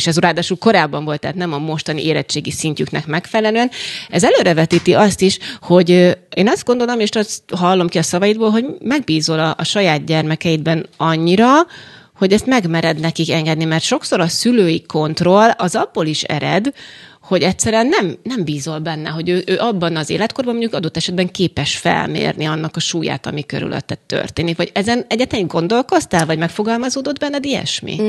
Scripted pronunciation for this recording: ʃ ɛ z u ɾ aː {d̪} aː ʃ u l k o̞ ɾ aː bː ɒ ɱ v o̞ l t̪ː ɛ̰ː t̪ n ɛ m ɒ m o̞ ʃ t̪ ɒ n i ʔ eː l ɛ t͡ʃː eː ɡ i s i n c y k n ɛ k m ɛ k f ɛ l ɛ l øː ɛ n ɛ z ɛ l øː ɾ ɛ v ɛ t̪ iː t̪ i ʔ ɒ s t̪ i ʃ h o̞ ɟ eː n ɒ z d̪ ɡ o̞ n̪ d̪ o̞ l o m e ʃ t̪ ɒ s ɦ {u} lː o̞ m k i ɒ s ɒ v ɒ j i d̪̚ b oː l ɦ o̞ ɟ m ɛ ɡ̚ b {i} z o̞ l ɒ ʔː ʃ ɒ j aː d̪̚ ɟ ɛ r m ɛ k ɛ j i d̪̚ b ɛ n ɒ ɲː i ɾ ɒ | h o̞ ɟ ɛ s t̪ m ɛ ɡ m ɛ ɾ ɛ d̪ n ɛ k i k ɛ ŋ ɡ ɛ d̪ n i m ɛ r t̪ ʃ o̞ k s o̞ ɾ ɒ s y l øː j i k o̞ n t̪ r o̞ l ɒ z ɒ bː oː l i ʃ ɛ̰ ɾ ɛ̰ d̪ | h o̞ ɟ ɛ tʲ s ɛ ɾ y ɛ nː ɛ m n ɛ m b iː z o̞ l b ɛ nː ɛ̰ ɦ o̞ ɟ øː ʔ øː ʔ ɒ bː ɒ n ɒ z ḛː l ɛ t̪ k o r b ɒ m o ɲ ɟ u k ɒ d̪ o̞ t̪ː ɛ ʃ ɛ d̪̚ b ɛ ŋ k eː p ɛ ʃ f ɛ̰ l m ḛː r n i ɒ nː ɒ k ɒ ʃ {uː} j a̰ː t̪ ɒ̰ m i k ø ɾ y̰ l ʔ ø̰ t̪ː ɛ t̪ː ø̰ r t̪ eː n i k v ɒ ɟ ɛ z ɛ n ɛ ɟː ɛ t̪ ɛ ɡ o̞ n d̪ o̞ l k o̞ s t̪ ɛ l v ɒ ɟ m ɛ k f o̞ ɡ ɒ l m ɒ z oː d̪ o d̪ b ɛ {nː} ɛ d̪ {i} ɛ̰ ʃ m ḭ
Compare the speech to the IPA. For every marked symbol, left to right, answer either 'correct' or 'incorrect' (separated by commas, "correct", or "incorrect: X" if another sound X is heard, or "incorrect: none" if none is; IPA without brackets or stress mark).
correct, incorrect: ɒ, incorrect: iː, correct, correct, correct